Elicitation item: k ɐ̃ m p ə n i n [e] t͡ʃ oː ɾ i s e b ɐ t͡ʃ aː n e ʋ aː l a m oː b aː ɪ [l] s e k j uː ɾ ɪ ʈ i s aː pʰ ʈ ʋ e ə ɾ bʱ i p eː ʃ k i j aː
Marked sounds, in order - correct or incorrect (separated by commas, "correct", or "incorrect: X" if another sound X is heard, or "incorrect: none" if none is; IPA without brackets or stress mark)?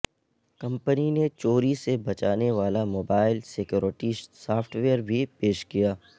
correct, correct